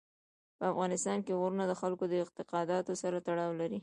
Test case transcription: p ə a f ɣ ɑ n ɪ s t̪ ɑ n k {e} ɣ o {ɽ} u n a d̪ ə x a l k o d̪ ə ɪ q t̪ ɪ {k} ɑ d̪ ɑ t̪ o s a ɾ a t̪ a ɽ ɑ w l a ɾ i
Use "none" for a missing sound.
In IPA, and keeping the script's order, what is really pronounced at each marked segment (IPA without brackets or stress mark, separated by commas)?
e, ɾ, q